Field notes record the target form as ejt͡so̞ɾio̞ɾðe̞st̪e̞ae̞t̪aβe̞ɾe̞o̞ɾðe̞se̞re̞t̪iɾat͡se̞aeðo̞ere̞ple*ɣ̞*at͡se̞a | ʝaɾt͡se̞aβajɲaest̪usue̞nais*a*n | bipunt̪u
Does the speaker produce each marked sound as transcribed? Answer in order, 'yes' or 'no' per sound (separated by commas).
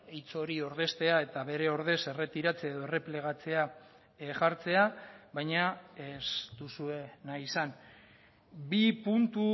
yes, yes